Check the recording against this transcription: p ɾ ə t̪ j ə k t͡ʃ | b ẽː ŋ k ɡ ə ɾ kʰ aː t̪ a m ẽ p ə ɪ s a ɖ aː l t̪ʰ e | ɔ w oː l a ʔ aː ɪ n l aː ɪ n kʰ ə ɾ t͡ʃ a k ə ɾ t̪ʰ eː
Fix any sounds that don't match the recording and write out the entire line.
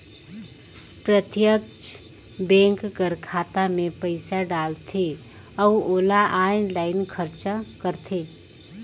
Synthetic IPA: p ɾ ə t̪ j ə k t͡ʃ | b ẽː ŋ k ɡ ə ɾ kʰ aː t̪ a m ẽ p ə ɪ s a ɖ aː l t̪ʰ e | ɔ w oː l a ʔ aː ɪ n l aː ɪ n kʰ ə ɾ t͡ʃ a k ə ɾ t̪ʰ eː